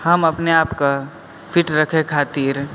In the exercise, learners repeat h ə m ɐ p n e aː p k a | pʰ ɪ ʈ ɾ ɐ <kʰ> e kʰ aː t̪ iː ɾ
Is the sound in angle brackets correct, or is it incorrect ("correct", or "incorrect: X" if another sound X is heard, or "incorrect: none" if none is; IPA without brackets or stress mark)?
correct